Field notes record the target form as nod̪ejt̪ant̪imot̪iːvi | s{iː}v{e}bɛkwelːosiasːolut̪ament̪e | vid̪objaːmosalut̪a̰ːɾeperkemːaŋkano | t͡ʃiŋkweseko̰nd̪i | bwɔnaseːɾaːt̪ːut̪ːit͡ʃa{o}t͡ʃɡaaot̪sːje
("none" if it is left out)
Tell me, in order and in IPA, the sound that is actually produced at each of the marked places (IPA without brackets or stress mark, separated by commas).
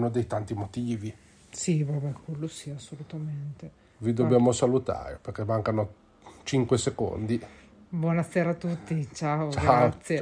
i, a, o